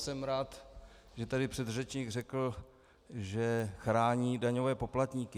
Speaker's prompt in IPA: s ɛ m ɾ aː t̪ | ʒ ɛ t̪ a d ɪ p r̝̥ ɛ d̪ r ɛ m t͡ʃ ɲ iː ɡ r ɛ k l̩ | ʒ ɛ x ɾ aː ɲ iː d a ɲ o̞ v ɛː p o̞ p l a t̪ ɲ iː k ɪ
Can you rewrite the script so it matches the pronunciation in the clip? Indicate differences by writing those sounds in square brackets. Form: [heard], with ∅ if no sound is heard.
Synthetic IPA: s ɛ m ɾ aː t̪ | ʒ ɛ t̪ a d ɪ p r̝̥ ɛ d̪ r ɛ [∅] t͡ʃ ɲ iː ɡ r ɛ k l̩ | ʒ ɛ x ɾ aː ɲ iː d a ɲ o̞ v ɛː p o̞ p l a t̪ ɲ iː k ɪ